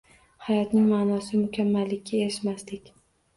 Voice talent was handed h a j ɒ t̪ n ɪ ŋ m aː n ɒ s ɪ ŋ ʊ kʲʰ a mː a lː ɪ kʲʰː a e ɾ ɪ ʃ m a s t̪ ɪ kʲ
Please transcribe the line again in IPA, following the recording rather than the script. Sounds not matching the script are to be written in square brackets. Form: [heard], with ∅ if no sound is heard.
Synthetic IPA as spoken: h a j ɒ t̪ n ɪ ŋ m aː n ɒ s ɪ [m] ʊ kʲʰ a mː a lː ɪ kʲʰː a e ɾ ɪ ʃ m a s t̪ ɪ kʲ